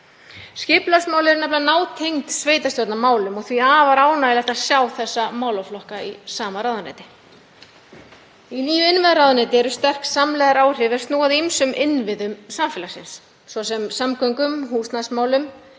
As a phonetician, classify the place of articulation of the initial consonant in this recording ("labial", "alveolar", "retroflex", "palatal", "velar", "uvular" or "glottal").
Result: alveolar